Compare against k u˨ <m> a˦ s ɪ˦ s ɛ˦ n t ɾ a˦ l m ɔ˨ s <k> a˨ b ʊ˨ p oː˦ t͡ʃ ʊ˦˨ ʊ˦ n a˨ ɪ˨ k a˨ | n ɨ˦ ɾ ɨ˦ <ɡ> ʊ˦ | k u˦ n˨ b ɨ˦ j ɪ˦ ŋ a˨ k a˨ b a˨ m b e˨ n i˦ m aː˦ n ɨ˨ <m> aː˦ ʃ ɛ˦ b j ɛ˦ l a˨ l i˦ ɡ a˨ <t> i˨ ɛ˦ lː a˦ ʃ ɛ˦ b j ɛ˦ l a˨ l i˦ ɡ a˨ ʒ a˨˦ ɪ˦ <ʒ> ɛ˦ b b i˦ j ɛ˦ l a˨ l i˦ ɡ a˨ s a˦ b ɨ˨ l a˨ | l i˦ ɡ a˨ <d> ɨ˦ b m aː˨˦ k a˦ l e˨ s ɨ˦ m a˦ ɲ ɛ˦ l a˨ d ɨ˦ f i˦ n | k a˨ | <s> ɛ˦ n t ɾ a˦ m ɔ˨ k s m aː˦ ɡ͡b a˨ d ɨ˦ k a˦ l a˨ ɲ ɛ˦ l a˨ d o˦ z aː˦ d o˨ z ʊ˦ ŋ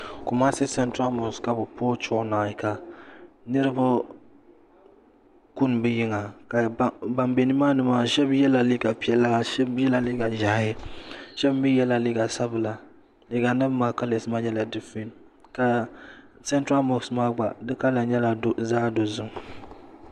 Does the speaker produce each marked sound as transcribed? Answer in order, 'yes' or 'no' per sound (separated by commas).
yes, yes, no, yes, no, no, no, yes